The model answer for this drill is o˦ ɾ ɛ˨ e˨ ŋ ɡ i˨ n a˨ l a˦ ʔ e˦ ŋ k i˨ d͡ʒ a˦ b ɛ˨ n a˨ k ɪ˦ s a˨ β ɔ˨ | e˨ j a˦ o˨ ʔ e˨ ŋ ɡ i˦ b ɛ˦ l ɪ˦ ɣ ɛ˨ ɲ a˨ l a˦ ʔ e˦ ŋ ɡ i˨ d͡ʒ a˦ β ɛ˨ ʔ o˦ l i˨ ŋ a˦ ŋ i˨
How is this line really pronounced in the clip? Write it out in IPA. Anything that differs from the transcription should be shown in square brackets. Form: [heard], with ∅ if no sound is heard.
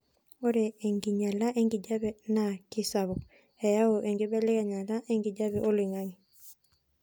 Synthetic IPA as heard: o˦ ɾ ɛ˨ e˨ ŋ ɡ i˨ [ɲ] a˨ l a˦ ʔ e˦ ŋ [ɡ] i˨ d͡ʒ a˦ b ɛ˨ n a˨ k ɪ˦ s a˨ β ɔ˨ | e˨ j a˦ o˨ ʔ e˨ ŋ ɡ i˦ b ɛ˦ l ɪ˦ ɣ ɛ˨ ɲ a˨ l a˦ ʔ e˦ ŋ ɡ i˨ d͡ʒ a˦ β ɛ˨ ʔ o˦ l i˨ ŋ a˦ ŋ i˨

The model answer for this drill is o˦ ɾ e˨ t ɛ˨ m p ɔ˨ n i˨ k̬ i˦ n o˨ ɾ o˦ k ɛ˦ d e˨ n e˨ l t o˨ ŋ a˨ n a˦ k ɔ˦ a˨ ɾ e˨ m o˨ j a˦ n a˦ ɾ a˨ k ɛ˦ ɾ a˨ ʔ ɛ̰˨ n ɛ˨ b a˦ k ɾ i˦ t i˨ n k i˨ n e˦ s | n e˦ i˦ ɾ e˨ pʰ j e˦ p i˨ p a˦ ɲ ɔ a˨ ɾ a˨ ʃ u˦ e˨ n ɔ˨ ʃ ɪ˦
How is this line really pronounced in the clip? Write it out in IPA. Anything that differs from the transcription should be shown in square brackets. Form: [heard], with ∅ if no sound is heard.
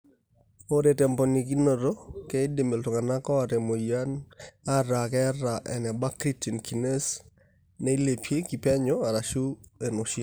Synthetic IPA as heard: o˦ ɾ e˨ t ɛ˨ m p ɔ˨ n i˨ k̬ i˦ n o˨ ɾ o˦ k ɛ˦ d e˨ [m] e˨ l t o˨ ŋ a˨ n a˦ k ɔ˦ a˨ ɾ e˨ m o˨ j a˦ n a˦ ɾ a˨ k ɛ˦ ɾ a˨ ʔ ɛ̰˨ n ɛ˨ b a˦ k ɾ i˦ t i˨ n k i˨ n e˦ s | n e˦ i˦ [l] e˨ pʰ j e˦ [k] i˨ p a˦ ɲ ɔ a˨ ɾ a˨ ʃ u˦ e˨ n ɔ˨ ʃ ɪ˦

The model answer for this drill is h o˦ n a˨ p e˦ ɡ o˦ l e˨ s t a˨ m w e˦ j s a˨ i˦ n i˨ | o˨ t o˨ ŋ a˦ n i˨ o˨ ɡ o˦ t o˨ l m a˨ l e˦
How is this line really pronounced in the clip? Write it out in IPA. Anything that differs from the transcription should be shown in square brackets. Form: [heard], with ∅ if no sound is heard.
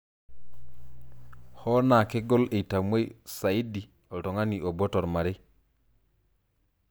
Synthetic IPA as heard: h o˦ n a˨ [k] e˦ ɡ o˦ l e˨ [∅] t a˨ m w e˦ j s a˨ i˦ [d] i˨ | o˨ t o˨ ŋ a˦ n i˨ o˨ [b] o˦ t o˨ [ɾ] m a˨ [ɾ] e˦

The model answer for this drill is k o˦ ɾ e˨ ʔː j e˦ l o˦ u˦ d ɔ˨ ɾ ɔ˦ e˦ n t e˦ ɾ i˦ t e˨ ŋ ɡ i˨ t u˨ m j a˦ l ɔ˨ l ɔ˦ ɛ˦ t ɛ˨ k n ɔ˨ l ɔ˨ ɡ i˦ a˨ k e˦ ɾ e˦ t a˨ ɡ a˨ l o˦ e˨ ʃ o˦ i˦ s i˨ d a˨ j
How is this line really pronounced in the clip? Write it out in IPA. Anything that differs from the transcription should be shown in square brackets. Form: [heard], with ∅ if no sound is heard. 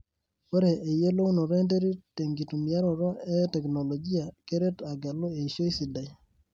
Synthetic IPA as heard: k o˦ ɾ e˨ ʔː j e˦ l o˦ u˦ [n] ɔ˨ ɾ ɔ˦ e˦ n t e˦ ɾ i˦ t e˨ ŋ ɡ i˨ t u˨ m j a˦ [ɾ] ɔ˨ [ɾ] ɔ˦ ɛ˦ t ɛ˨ k n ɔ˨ l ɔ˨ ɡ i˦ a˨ k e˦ ɾ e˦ t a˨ ɡ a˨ l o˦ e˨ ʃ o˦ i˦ s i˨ d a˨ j

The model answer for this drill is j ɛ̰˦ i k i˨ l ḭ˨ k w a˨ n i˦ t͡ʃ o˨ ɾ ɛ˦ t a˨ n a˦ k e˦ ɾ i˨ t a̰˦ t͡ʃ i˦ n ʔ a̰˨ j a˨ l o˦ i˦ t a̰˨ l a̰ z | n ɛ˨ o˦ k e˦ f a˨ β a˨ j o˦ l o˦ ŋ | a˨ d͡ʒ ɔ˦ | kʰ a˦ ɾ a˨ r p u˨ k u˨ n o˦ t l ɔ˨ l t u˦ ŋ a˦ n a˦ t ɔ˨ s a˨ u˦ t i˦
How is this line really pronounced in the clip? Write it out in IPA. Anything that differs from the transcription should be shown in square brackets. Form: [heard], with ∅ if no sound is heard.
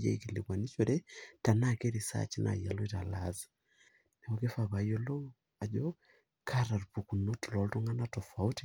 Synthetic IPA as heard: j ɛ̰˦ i k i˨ l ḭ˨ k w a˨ n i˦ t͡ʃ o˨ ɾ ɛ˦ t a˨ n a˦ k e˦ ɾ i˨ [s] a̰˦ t͡ʃ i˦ n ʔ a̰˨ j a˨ l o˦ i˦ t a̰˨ l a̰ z | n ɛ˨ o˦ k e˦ f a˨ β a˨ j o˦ l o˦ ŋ | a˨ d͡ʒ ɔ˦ | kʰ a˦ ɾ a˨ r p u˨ k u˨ n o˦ t l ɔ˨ l t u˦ ŋ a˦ n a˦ t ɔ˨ [f] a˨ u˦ t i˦

